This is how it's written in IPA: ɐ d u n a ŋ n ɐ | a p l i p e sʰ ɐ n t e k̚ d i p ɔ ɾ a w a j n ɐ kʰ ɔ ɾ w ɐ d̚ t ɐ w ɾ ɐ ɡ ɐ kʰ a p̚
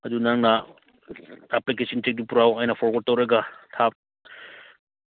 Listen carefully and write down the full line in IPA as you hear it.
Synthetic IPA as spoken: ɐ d u n a ŋ n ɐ | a p l i k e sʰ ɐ n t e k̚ d i p u ɾ a w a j n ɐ pʰ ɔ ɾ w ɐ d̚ t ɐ w ɾ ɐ ɡ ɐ tʰ a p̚